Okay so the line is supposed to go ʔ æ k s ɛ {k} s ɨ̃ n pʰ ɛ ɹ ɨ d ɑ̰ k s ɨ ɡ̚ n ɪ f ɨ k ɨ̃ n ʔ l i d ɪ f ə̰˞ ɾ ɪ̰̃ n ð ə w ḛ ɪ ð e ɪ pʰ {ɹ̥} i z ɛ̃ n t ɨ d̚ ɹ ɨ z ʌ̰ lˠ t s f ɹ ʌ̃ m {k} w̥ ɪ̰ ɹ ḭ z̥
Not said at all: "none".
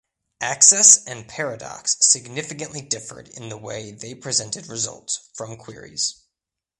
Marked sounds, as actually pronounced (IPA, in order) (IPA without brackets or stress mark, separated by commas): none, ɹ̥, kʰ